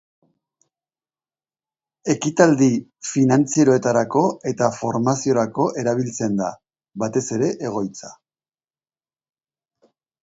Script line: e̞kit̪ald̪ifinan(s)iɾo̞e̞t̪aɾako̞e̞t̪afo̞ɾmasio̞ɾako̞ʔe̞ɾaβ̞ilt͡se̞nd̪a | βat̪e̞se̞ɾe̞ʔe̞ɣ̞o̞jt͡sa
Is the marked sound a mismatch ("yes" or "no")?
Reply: yes